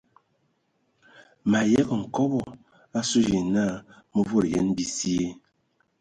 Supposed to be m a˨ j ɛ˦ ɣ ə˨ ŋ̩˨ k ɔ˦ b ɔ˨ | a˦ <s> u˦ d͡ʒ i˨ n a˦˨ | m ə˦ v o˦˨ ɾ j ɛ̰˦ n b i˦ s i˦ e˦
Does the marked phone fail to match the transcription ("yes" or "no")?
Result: no